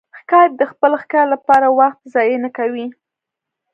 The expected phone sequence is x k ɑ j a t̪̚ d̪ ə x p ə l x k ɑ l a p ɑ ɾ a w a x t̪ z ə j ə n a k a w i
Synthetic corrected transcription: x k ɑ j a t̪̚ d̪ ə x p ə l x k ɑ l a p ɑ ɾ a w a x t̪ z ɑ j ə n a k a w i